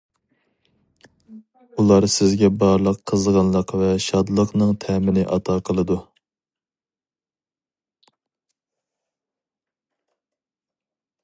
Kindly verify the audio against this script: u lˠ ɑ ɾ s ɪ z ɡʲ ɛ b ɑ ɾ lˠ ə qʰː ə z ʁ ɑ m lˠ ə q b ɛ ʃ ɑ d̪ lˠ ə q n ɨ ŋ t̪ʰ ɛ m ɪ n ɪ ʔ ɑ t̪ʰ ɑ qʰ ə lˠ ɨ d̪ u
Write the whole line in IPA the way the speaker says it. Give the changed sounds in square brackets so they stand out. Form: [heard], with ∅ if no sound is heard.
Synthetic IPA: u lˠ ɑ ɾ s ɪ z ɡʲ ɛ b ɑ ɾ lˠ ə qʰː ə z ʁ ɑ [n] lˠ ə q [v] ɛ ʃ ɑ d̪ lˠ ə q n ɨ ŋ t̪ʰ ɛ m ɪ n ɪ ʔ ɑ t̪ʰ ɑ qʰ ə lˠ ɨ d̪ u